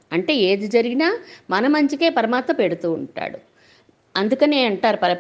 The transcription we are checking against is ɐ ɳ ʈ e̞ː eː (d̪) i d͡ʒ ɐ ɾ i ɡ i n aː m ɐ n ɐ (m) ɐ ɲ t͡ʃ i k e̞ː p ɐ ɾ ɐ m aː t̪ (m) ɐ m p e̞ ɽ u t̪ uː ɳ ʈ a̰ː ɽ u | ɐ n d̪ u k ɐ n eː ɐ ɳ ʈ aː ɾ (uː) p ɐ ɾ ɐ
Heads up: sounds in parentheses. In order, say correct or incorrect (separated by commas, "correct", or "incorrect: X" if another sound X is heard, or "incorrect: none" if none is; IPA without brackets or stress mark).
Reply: correct, correct, correct, incorrect: u